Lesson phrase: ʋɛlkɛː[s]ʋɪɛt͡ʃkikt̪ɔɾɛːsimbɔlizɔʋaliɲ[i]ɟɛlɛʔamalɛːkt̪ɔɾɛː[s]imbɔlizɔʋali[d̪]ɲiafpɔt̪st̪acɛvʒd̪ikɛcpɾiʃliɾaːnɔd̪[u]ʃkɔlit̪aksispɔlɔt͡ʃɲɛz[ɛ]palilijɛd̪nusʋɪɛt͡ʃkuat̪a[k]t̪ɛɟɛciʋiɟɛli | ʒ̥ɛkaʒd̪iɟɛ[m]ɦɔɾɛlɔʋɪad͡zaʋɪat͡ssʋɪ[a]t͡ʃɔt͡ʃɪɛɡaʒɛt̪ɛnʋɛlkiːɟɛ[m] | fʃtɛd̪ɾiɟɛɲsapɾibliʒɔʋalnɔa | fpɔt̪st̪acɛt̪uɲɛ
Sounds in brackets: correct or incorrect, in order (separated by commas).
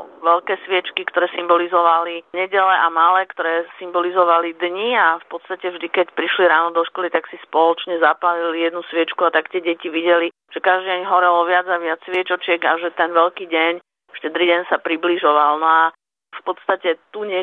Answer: correct, incorrect, correct, correct, incorrect, incorrect, correct, incorrect, incorrect, incorrect